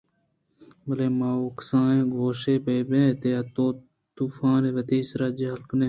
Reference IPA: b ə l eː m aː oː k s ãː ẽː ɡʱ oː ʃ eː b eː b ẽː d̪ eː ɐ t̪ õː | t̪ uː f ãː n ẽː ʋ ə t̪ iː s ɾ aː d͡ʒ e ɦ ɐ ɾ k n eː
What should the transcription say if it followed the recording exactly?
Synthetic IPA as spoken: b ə l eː m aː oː k s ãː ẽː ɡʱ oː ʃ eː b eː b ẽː t̪ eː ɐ t̪ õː | t̪ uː f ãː n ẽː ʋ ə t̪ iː s ɾ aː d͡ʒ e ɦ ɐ l k n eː